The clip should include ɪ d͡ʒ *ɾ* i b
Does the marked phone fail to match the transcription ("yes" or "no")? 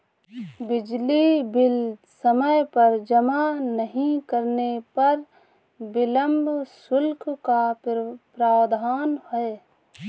yes